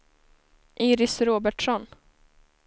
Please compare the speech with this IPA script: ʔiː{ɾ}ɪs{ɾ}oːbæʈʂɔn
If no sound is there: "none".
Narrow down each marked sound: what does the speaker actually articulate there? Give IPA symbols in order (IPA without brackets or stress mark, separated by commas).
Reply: ɾ, ɾ